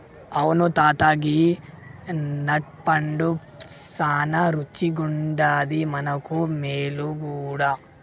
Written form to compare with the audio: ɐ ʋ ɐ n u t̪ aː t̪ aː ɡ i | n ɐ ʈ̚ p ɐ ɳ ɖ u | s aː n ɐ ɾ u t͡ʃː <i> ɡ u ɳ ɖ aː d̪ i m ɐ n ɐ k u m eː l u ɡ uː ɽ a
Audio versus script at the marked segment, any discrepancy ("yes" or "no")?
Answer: no